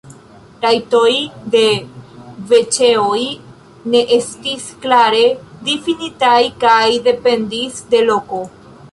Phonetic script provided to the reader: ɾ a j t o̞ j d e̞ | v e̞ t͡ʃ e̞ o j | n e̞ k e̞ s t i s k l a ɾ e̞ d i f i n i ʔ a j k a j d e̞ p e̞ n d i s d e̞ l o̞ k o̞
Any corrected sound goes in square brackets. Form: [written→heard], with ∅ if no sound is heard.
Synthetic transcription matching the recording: ɾ a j t o̞ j d e̞ | v e̞ t͡ʃ e̞ o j | n e̞ [k→ʔ] e̞ s t i s k l a ɾ e̞ d i f i n i [ʔ→t] a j k a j d e̞ p e̞ n d i s d e̞ l o̞ k o̞